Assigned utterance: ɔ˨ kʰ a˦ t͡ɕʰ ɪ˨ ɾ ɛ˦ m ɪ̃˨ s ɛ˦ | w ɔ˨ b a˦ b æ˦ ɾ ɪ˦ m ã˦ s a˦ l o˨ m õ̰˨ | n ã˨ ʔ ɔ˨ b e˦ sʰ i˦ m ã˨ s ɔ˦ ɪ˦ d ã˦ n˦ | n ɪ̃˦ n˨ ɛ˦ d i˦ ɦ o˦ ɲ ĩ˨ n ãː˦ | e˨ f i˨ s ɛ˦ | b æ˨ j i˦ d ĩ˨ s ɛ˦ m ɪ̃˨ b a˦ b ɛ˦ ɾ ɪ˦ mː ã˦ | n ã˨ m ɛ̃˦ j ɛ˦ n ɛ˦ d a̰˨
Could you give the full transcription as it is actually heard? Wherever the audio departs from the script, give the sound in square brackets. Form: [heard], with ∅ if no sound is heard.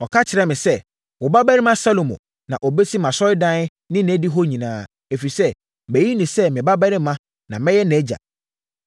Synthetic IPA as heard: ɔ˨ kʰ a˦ t͡ɕʰ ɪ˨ ɾ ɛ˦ m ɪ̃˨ s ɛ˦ | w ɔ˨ b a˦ b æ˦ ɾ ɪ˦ m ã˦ s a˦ l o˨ m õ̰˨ | n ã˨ ʔ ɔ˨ b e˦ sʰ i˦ m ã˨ s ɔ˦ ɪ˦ d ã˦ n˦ | n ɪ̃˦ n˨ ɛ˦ d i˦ ɦ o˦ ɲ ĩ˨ n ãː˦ | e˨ f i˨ s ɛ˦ | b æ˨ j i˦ [n] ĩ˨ s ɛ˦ m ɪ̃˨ b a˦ b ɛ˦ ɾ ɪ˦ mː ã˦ | n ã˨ m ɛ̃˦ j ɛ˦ n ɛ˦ [d͡ʑ] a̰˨